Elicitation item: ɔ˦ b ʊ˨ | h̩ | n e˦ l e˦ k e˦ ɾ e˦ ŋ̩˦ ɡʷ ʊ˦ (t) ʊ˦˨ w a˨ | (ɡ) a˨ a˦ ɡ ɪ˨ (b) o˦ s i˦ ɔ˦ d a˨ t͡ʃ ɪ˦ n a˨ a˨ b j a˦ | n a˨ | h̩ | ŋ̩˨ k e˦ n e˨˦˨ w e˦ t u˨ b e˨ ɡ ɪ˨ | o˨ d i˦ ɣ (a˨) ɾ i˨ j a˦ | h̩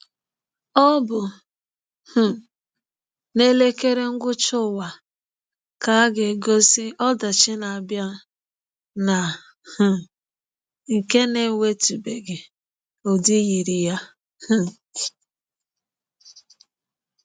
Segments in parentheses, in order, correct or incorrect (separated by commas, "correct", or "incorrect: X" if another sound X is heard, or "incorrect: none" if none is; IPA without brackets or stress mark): incorrect: t͡ʃ, incorrect: k, incorrect: ɡ, incorrect: i˨